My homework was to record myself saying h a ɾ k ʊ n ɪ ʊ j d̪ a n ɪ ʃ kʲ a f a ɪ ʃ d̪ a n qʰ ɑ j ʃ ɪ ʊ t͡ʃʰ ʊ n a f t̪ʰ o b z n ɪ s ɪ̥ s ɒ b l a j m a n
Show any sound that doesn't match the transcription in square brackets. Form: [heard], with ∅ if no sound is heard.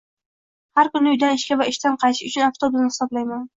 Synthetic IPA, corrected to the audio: h a ɾ k ʊ n ɪ ʊ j d̪ a n ɪ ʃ kʲ a [v] a ɪ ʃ [t̪] a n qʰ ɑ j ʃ ɪ ʊ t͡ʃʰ ʊ n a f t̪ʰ o b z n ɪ [h] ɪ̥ s ɒ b l a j m a n